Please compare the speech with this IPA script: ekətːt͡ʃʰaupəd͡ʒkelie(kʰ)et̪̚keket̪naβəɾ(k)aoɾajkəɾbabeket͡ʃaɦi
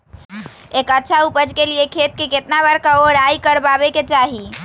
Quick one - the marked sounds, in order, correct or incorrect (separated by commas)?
correct, correct